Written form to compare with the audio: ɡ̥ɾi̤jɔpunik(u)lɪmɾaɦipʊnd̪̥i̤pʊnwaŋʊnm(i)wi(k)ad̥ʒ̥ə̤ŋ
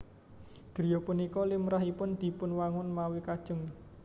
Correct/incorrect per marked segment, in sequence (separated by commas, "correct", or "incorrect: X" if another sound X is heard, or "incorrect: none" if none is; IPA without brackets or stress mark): incorrect: ɔ, incorrect: a, correct